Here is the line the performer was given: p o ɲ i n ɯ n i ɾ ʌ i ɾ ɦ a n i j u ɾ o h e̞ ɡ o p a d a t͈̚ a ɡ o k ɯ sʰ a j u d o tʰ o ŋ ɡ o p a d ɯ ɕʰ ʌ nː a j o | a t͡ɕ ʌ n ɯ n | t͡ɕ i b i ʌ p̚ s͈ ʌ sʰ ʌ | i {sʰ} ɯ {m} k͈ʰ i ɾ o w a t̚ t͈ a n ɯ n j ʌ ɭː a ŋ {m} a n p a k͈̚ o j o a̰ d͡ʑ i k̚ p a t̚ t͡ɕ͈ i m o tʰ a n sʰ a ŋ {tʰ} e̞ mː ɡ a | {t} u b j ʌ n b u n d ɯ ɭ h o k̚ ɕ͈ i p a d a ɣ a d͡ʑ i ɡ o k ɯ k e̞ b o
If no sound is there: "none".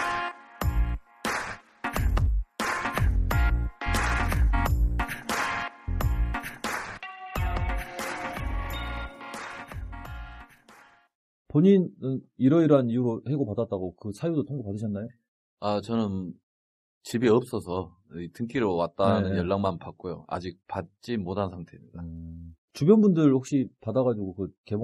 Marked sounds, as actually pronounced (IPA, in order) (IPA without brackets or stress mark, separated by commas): tʰ, ŋ, m, tʰ, t͡ɕ